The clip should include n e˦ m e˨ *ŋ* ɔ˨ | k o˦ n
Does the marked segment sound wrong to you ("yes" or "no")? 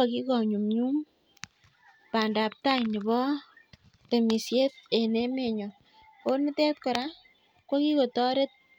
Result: yes